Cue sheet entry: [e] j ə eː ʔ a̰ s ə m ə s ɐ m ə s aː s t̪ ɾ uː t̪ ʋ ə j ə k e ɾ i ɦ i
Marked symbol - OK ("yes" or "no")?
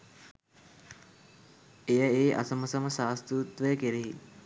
yes